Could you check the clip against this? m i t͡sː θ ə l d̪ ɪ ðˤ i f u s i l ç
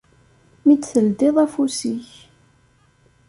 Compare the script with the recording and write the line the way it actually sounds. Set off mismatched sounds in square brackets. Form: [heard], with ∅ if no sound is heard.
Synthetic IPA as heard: m i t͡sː θ ə l d̪ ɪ ðˤ [æ] f u s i [∅] ç